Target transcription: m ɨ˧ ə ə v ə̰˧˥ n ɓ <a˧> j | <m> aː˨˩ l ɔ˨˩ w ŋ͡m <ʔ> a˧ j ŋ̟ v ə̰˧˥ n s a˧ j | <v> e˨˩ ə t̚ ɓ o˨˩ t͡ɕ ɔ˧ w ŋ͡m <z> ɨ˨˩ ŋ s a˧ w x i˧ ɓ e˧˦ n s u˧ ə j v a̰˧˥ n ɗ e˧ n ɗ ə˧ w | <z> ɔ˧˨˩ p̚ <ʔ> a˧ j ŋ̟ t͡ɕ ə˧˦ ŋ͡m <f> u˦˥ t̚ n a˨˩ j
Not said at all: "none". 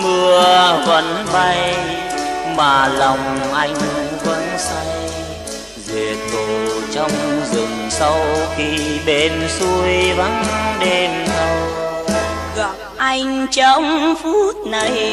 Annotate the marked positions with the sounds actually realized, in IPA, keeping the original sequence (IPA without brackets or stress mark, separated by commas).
a˧, m, ʔ, z, z, ɣ, ʔ, f